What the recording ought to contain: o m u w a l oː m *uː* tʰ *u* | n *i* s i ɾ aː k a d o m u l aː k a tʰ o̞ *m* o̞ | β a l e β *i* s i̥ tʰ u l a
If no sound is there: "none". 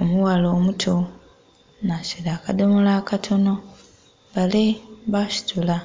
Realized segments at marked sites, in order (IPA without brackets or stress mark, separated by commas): u, o, a, n, a